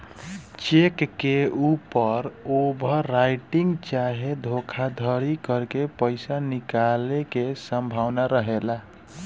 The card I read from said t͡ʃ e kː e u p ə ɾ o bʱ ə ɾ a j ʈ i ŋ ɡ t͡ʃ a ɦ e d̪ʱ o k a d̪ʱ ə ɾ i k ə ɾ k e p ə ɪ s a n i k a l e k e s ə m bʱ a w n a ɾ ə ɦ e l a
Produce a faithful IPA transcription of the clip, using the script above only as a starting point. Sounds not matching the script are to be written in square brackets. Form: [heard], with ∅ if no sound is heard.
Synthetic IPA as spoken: t͡ʃ e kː e u p ə ɾ o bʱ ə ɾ a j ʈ i ŋ ɡ t͡ʃ a ɦ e d̪ʱ o [kʰ] a d̪ʱ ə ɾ i k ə ɾ k e p ə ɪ s a n i k a l e k e s ə m bʱ a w n a ɾ ə ɦ e l a